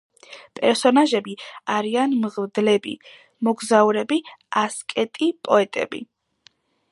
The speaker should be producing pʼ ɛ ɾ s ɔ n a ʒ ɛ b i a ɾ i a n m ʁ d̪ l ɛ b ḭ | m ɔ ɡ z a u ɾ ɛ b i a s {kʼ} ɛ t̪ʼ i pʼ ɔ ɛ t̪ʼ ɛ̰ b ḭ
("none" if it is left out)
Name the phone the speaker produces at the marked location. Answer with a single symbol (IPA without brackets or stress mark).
kʼ